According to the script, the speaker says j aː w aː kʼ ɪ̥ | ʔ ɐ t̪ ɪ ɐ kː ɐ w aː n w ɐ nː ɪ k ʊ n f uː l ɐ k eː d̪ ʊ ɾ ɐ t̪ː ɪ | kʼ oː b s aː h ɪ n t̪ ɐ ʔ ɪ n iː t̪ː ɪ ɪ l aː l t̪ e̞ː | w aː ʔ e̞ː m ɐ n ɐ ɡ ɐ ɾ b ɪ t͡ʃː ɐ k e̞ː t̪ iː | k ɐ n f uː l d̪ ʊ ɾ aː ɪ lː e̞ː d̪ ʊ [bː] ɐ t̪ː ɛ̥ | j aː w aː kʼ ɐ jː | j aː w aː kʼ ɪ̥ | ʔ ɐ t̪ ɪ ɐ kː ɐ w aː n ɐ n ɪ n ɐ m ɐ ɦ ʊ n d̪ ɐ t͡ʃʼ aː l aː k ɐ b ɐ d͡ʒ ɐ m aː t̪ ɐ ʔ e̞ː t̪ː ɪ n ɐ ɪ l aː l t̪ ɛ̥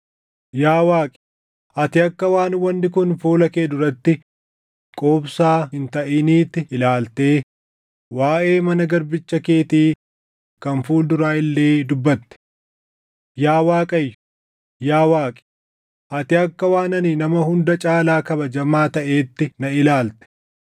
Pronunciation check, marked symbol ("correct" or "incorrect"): correct